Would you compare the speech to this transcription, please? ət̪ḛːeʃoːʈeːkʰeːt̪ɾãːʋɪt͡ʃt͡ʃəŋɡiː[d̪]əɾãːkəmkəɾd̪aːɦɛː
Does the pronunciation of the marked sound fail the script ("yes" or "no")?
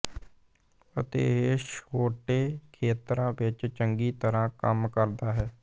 yes